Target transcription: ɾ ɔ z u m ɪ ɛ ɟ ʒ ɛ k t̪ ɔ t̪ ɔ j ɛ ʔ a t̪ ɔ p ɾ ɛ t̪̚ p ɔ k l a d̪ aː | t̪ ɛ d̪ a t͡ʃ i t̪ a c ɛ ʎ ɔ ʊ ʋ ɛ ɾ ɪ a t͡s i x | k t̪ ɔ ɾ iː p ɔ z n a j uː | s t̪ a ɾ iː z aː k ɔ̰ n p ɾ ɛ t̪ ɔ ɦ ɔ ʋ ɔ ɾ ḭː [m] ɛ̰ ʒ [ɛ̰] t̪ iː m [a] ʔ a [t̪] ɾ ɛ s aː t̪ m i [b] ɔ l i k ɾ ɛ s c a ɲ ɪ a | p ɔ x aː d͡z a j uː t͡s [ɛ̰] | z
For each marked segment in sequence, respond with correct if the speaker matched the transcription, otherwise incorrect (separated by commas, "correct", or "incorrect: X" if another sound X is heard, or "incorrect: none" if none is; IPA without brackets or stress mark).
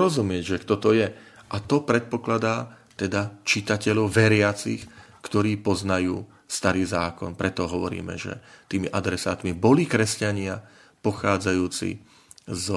correct, correct, incorrect: i, incorrect: d̪, correct, incorrect: ḭ